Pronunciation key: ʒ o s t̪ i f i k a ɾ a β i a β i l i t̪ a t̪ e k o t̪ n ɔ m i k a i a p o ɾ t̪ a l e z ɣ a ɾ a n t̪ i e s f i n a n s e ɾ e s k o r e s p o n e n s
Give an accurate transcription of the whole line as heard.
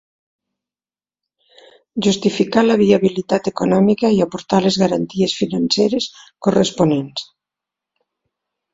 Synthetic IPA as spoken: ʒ u s t̪ i f i k a l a β i a β i l i t̪ a t̪ e k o n ɔ m i k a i a p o ɾ t̪ a l e z ɣ a ɾ a n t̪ i e s f i n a n s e ɾ e s k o r e s p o n e n s